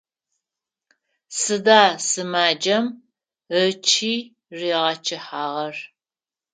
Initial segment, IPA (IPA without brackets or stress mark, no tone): s